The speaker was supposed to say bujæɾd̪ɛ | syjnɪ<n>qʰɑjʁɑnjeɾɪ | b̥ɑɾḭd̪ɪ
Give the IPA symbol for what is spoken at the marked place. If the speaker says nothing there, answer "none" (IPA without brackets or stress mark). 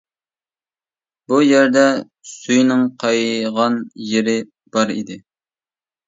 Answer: ŋ